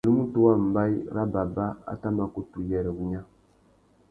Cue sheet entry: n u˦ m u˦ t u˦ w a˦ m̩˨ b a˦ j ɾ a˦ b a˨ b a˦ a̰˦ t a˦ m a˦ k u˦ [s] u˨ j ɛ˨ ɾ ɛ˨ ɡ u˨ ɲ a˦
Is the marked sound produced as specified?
no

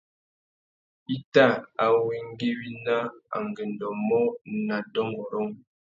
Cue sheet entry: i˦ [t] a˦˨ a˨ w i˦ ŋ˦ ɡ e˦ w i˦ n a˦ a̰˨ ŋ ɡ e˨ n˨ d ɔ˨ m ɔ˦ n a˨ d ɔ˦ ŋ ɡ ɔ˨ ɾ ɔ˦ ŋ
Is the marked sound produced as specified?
yes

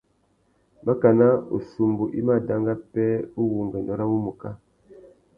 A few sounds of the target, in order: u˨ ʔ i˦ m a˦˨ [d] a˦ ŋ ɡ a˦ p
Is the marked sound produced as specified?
yes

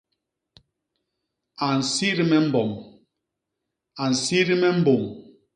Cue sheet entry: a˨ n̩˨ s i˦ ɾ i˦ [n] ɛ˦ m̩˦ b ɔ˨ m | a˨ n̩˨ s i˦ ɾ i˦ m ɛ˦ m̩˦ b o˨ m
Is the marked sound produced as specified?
no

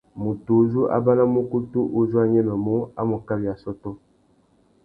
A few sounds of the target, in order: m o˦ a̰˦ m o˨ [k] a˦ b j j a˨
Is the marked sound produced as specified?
yes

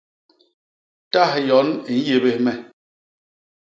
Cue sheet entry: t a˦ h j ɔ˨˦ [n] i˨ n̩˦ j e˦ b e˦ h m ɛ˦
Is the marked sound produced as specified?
yes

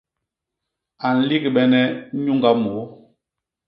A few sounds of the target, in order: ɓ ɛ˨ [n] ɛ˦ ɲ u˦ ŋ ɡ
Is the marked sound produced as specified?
yes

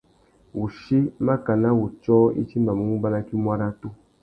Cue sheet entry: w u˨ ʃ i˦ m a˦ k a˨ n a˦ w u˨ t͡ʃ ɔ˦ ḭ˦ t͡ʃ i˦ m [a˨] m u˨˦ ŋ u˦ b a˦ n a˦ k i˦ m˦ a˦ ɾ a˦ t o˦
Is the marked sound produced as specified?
yes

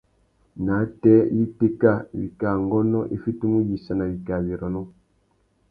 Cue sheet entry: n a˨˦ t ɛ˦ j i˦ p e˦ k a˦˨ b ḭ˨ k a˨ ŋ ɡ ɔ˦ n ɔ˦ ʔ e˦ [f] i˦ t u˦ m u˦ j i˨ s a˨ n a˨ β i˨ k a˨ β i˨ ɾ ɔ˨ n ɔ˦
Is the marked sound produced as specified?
yes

